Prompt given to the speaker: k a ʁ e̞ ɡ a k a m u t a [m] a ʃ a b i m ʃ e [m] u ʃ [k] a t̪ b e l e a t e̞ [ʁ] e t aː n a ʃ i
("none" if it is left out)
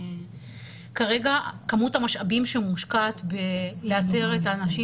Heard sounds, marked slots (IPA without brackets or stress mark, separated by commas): m, m, k, ʁ